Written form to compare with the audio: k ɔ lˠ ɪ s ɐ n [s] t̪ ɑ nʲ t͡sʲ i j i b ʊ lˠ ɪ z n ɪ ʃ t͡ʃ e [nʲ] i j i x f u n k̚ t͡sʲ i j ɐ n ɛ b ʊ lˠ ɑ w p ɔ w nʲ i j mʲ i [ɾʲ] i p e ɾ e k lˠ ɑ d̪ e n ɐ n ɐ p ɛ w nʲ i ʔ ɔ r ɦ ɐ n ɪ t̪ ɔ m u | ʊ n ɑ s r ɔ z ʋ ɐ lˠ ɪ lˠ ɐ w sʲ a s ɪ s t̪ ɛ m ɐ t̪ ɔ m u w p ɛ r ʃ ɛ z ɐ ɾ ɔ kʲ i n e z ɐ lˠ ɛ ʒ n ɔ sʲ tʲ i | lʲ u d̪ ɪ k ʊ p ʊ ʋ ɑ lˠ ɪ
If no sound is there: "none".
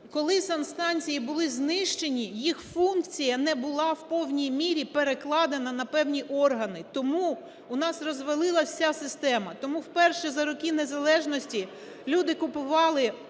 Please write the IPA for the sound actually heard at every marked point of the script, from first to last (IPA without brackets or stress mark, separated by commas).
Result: s, nʲ, ɾʲ